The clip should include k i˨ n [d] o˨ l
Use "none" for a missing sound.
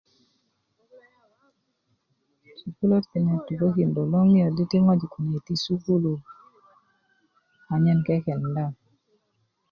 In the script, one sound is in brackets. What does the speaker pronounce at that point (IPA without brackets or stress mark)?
d